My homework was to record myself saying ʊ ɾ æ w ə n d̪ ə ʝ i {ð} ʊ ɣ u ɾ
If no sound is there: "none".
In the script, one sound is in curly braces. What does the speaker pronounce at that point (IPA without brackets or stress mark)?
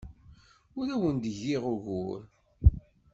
ʁ